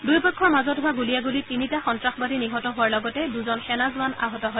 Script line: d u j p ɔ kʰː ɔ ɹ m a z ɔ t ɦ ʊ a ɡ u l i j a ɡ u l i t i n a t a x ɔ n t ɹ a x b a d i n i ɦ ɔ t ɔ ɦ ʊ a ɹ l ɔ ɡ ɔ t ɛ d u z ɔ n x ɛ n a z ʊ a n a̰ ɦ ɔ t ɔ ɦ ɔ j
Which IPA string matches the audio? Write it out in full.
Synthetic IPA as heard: d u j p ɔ kʰː ɔ ɹ m a z ɔ t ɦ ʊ a ɡ u l i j a ɡ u l i t i n i t a x ɔ n t ɹ a x b a d i n i ɦ ɔ t ɔ ɦ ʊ a ɹ l ɔ ɡ ɔ t ɛ d u z ɔ n x ɛ n a z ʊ a n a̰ ɦ ɔ t ɔ ɦ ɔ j